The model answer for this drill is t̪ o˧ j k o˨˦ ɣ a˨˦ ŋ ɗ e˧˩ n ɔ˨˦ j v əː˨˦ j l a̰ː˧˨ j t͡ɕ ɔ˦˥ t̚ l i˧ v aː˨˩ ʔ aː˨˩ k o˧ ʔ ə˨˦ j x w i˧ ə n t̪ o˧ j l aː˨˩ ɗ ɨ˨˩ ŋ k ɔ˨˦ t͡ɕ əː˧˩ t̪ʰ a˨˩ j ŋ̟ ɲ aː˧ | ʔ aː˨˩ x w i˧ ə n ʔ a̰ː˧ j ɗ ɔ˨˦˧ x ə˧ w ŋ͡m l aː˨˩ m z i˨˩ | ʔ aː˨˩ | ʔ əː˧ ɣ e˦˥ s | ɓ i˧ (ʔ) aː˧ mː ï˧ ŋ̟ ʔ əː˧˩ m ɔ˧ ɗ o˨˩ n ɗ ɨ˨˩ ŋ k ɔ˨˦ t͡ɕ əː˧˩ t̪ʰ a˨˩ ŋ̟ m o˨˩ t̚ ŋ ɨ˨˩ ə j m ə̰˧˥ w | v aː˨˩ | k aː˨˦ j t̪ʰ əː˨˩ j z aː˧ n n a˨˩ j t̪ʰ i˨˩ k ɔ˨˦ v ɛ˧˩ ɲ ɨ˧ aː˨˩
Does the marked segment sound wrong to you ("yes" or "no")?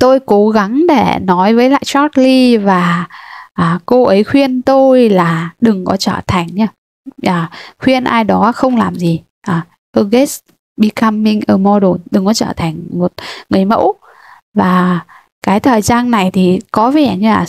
yes